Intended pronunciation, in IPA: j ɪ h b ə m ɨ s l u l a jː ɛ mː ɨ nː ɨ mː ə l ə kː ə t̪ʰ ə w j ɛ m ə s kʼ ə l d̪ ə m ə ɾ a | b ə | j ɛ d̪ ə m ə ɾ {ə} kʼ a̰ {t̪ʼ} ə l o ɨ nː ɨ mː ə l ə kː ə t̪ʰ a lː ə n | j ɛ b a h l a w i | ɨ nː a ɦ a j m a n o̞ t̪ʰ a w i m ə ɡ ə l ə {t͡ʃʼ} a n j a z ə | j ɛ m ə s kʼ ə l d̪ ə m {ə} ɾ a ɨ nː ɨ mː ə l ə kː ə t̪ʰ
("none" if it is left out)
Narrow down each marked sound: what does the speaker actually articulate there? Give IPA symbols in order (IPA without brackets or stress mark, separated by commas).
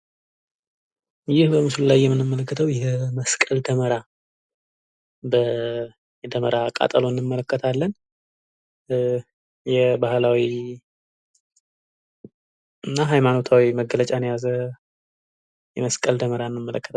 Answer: a, t̪ʼ, t͡ʃʼ, ə